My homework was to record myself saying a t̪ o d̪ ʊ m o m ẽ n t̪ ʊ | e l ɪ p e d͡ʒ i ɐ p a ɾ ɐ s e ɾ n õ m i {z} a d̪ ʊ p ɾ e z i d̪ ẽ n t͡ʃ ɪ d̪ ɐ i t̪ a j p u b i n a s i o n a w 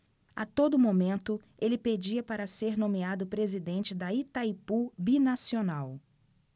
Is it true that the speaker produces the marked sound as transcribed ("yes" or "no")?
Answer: no